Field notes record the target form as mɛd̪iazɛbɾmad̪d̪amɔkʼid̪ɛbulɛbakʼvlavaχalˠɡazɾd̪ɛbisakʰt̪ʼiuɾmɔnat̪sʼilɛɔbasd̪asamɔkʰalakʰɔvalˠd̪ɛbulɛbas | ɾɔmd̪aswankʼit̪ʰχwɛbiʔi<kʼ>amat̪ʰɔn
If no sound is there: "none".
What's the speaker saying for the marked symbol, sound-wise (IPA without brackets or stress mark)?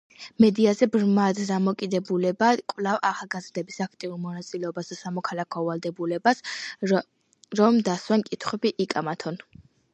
kʼ